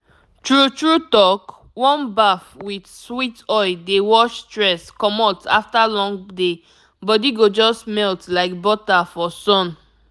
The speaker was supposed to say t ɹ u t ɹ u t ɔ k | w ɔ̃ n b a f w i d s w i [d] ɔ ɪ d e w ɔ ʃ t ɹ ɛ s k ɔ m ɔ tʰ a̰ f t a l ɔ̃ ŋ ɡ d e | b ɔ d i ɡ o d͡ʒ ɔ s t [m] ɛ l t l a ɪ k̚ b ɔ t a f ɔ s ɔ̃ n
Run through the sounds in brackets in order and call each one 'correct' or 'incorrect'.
incorrect: t, correct

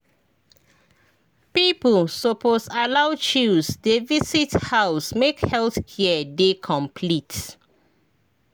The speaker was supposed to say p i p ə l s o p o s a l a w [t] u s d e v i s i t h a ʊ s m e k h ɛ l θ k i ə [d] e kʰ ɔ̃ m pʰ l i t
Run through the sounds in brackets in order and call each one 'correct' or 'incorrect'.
incorrect: t͡ʃ, correct

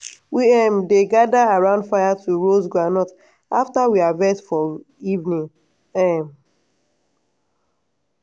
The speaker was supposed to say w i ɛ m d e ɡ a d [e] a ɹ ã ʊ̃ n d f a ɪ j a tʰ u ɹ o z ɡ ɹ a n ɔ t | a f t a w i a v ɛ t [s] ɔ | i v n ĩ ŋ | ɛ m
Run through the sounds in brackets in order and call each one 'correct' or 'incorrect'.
incorrect: a, incorrect: f

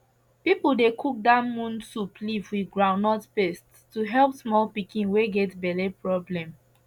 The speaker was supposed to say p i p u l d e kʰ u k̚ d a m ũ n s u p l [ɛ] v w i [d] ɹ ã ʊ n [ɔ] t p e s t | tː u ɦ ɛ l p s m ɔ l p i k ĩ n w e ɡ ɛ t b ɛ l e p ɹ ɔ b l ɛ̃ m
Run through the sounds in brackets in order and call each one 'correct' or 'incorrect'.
incorrect: i, incorrect: ɡ, correct

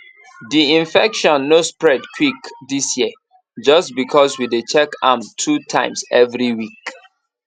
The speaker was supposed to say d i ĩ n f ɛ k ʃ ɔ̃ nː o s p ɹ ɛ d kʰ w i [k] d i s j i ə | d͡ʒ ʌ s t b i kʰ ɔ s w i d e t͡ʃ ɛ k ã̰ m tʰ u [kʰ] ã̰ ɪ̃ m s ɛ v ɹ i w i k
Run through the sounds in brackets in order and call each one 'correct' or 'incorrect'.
correct, incorrect: tʰ

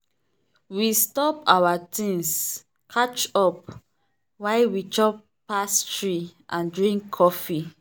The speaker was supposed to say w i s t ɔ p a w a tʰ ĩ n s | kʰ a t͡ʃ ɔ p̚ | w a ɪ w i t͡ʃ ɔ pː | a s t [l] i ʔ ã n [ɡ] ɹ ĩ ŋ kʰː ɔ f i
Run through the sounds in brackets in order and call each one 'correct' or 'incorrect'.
incorrect: ɹ, incorrect: d

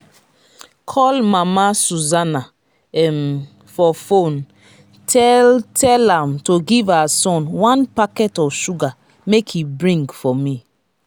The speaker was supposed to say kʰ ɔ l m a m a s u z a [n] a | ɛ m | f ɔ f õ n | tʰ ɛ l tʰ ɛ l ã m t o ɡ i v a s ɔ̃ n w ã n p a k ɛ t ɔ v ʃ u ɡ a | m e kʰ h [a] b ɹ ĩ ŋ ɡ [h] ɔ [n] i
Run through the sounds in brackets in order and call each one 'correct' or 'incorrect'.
correct, incorrect: i, incorrect: f, incorrect: m

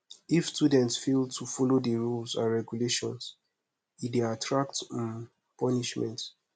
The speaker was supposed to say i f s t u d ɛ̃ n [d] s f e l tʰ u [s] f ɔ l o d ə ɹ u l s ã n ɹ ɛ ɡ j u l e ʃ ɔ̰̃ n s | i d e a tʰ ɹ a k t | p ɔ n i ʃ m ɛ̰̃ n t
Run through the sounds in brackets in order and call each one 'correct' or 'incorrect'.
incorrect: t, incorrect: none

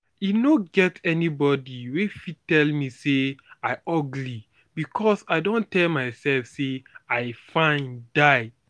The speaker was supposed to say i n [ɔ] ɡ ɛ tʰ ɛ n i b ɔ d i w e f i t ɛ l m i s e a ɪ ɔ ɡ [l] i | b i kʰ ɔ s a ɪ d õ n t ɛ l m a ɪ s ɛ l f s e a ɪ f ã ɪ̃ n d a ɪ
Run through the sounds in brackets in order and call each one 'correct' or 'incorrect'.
incorrect: o, correct

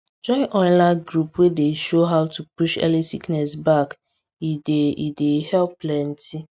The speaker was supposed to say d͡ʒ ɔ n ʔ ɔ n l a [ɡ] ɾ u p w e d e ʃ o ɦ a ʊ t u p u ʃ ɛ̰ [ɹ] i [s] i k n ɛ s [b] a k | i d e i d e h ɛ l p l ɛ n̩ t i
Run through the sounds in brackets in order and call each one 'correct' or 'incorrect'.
correct, incorrect: l, correct, correct

